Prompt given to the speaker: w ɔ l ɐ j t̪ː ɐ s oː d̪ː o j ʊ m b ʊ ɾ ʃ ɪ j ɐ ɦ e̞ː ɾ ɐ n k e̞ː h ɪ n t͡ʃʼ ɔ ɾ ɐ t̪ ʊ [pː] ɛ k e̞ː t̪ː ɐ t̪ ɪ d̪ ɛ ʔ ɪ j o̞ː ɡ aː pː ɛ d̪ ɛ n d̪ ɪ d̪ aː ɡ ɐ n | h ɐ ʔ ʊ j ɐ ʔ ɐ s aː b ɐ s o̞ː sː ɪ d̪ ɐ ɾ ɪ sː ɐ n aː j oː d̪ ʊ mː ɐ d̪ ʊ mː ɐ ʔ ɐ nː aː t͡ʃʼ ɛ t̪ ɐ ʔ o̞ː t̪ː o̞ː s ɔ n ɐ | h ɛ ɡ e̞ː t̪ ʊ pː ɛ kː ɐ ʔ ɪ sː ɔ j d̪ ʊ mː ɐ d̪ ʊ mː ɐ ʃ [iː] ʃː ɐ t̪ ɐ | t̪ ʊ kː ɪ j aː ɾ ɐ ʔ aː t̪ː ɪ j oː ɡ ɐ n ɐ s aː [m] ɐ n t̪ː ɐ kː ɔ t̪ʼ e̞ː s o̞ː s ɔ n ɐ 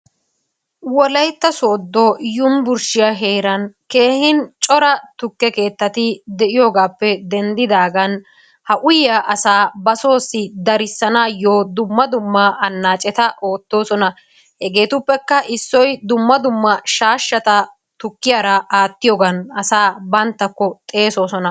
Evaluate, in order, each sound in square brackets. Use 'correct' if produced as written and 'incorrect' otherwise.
incorrect, incorrect, incorrect

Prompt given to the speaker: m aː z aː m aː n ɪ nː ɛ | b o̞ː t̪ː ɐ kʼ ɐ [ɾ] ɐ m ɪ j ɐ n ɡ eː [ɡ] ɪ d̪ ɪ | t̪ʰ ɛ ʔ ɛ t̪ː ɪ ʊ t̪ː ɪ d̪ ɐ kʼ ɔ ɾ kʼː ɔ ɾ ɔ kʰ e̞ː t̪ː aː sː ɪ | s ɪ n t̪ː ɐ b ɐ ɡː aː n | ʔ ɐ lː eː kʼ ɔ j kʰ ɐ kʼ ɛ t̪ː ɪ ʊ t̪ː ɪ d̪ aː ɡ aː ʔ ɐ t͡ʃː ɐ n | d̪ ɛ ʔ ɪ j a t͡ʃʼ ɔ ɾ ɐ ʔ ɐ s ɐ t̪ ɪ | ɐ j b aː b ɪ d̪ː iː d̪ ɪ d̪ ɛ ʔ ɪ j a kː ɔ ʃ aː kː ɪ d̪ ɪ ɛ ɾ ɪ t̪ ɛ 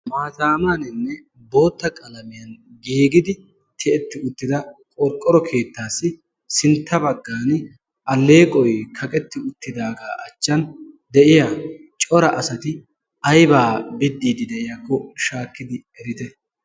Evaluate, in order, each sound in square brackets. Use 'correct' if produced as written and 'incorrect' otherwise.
incorrect, correct

